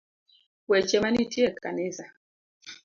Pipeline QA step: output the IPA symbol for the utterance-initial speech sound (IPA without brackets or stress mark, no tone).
w